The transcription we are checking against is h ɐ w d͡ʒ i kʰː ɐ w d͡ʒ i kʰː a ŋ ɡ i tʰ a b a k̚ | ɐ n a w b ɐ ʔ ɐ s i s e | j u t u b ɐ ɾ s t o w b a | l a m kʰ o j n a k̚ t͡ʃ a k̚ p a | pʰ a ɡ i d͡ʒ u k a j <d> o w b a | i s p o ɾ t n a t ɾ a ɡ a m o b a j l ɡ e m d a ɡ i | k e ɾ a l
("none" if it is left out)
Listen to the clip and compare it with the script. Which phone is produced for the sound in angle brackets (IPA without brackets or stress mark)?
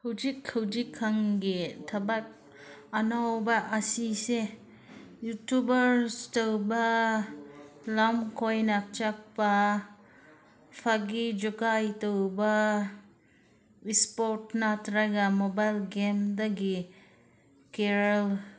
t